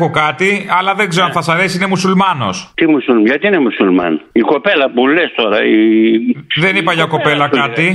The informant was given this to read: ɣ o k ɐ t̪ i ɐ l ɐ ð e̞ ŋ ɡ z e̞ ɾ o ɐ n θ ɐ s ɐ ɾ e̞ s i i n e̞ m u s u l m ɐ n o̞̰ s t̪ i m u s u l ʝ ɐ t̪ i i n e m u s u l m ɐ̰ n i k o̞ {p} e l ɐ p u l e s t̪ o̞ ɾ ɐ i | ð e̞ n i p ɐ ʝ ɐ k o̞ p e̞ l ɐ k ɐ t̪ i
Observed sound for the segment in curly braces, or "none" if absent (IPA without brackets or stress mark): p